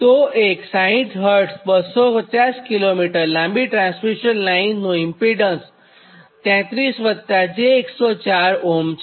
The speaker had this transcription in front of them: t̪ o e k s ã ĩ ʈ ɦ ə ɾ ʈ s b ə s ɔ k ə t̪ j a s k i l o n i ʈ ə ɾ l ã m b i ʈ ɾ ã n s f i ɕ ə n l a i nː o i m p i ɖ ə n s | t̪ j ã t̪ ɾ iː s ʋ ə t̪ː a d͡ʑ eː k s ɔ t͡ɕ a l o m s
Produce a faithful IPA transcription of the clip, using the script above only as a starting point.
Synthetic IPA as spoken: t̪ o e k s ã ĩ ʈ ɦ ə ɾ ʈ s b ə s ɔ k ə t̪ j a s k i l o m i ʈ ə ɾ l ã m b i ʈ ɾ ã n s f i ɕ ə n l a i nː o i m p i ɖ ə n s | t̪ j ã t̪ ɾ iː s ʋ ə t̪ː a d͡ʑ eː k s ɔ t͡ɕ a ɾ o m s